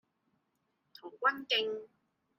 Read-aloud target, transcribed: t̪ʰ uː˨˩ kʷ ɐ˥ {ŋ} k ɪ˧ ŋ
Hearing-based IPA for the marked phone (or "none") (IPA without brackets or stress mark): n